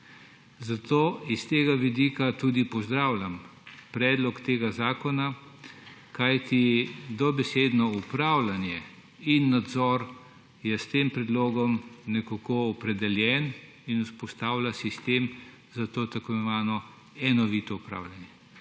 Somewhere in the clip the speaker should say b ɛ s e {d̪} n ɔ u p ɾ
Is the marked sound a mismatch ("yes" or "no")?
no